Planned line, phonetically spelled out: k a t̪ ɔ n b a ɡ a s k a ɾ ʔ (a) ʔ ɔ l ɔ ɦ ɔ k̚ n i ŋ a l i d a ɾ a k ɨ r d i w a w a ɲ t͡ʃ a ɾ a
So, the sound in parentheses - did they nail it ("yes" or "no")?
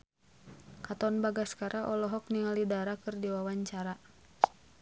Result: yes